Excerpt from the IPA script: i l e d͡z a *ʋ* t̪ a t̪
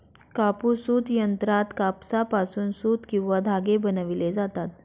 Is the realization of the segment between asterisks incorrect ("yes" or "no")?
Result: yes